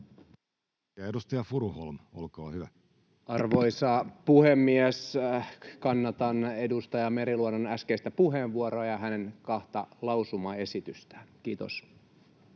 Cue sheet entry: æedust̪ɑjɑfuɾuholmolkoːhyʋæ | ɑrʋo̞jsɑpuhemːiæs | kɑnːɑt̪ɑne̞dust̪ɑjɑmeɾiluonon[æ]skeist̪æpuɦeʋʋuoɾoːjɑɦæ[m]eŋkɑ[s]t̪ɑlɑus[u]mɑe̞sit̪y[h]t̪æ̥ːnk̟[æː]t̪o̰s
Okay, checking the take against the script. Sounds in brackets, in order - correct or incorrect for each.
correct, incorrect, incorrect, correct, incorrect, incorrect

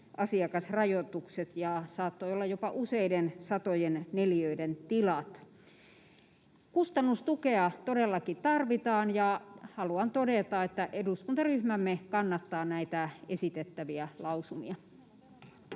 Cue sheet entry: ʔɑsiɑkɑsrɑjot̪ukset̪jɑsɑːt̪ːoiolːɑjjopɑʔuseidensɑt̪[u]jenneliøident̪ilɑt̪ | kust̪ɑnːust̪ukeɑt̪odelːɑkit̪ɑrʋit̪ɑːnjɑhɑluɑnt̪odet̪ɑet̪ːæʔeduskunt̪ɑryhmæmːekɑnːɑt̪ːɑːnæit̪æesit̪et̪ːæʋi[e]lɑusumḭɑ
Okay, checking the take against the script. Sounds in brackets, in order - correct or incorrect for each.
incorrect, incorrect

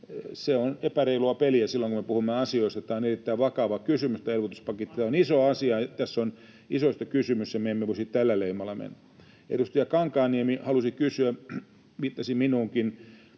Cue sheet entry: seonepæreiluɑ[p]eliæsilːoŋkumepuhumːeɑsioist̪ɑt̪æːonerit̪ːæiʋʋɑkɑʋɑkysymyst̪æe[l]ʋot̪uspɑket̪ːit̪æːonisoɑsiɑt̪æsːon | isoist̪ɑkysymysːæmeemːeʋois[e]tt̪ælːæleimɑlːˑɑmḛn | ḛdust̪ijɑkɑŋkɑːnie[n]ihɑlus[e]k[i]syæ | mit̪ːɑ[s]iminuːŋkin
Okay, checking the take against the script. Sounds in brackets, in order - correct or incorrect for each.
correct, correct, incorrect, incorrect, incorrect, incorrect, correct

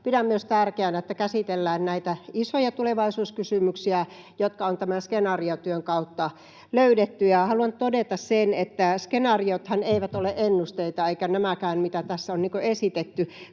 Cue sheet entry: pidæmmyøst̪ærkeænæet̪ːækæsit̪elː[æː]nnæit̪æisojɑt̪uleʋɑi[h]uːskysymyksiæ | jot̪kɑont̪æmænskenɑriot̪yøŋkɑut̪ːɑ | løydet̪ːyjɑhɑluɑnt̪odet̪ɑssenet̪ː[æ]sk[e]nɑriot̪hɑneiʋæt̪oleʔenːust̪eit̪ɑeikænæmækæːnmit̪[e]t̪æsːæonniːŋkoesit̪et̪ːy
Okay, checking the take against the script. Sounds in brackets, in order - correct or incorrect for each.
correct, incorrect, correct, correct, incorrect

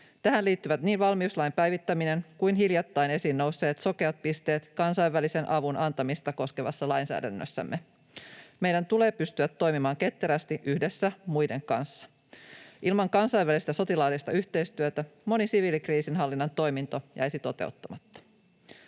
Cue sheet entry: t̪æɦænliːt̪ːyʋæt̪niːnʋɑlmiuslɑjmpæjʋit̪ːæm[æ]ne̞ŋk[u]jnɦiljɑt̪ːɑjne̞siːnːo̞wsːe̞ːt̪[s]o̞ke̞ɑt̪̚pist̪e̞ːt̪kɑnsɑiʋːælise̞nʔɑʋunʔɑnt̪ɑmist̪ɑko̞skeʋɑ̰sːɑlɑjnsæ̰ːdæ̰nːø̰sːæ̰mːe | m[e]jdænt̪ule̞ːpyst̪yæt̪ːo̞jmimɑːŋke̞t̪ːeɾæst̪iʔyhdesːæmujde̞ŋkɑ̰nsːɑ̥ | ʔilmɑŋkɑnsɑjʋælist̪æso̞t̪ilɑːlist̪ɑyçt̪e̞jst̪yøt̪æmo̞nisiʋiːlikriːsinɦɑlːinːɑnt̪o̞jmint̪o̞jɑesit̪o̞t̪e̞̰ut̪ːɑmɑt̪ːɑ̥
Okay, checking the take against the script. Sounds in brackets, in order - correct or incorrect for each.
incorrect, correct, correct, correct

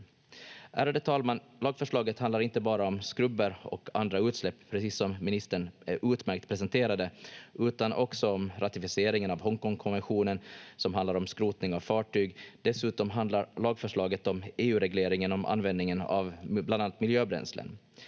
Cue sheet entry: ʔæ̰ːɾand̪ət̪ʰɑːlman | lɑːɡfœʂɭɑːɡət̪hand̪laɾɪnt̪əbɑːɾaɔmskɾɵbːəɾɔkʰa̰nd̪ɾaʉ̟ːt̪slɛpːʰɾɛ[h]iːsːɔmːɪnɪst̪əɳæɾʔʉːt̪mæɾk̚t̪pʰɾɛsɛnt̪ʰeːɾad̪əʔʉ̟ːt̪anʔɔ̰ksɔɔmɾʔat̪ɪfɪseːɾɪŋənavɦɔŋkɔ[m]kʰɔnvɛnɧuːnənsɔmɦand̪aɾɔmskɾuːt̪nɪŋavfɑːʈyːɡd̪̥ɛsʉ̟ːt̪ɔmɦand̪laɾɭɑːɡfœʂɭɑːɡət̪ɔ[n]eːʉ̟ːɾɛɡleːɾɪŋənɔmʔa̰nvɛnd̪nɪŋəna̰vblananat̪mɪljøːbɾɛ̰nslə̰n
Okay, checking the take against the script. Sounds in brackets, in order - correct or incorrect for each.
incorrect, incorrect, incorrect

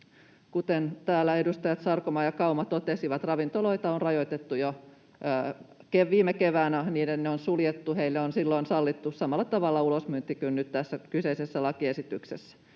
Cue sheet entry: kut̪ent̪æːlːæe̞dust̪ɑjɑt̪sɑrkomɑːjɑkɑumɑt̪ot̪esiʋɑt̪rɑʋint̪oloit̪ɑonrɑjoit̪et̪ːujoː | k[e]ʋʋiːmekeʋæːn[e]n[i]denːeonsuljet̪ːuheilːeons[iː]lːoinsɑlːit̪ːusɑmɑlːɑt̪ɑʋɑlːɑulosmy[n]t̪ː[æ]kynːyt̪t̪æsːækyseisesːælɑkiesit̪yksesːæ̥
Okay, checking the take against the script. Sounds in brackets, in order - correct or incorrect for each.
correct, incorrect, incorrect, incorrect, correct, incorrect

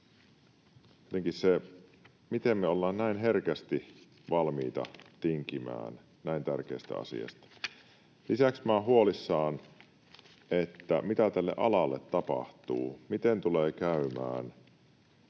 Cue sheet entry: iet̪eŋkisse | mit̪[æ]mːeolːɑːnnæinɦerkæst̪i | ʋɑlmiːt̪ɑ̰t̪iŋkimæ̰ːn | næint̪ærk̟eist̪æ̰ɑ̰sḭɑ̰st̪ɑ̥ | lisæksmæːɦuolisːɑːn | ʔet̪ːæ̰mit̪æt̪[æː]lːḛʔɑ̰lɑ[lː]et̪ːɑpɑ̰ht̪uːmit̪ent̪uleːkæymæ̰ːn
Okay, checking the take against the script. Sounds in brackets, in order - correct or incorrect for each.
incorrect, incorrect, correct

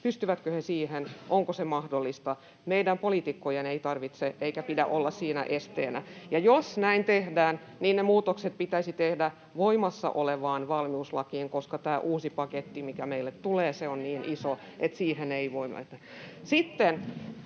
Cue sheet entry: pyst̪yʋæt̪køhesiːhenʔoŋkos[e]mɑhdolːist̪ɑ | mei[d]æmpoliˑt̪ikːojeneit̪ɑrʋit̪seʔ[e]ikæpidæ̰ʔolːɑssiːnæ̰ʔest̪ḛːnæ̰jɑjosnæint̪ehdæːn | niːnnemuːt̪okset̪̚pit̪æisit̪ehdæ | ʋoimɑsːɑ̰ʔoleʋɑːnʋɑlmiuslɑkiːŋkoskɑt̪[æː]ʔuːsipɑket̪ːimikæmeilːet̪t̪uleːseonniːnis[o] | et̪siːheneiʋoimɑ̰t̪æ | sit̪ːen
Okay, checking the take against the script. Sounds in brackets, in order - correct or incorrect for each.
correct, correct, correct, correct, correct

